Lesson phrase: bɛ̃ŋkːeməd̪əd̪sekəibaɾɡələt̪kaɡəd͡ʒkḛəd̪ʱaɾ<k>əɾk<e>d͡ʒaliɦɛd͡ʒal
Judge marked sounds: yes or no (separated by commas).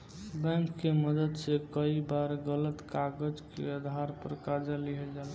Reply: no, no